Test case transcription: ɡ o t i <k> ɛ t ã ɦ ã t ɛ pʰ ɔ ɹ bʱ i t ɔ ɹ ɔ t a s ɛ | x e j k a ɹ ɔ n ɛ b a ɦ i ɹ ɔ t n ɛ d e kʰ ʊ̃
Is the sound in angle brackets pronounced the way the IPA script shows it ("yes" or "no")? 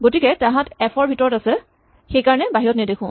yes